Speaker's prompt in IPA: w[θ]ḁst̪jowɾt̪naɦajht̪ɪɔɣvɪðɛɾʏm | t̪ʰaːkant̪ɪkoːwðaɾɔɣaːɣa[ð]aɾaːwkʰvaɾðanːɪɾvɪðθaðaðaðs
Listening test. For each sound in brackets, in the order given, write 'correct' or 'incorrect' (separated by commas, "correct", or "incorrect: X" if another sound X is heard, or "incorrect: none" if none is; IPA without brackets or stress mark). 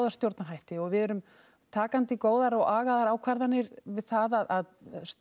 incorrect: ð, correct